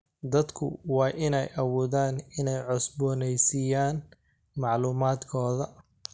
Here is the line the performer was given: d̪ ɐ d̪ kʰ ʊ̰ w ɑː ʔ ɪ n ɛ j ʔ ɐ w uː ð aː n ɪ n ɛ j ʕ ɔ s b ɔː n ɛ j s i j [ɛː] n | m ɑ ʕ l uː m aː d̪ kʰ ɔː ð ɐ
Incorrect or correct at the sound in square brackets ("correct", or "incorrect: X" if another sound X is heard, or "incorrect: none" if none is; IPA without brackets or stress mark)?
incorrect: aː